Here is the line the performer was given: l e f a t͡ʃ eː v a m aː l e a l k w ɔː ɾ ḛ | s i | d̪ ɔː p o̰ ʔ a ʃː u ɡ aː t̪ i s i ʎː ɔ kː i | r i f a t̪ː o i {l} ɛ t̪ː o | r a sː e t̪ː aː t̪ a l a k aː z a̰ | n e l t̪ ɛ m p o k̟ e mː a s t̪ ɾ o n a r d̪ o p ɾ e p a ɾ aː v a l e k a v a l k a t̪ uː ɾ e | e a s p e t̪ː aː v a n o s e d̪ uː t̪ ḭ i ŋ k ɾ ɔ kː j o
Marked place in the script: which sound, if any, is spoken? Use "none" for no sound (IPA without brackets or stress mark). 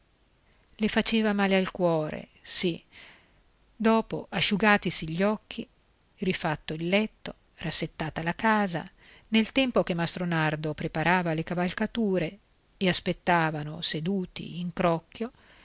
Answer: lː